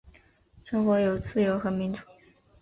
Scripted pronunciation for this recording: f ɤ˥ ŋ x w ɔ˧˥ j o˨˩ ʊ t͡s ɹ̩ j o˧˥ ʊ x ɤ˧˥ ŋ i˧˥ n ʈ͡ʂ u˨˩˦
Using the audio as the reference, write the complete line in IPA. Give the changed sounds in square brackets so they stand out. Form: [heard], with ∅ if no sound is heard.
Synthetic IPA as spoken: [ʂ] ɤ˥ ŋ x w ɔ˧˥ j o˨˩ ʊ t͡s ɹ̩ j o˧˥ ʊ x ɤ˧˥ [m] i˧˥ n ʈ͡ʂ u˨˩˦